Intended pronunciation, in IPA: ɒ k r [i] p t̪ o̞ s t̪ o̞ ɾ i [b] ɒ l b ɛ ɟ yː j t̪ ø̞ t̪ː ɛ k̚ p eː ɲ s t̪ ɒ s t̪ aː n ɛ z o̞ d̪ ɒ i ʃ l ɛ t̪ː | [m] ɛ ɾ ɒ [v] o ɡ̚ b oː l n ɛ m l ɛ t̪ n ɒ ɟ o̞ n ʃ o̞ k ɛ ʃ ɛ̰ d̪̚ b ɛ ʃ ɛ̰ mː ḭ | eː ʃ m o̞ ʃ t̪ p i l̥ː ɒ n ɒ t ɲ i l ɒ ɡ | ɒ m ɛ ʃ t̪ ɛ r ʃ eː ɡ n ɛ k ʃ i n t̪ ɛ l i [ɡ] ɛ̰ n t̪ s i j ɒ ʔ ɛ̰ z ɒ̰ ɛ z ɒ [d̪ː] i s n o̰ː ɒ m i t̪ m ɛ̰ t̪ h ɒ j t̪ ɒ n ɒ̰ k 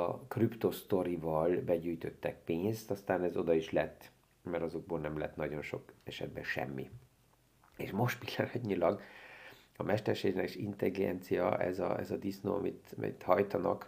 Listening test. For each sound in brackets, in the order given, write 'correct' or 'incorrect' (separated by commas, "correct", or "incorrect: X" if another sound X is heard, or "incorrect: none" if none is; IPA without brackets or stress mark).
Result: incorrect: y, incorrect: v, correct, incorrect: z, correct, incorrect: d̪